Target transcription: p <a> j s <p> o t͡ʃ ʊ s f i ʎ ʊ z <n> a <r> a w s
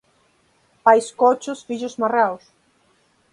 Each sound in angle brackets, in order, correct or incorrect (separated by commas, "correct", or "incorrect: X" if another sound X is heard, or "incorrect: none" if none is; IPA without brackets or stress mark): correct, incorrect: k, incorrect: m, correct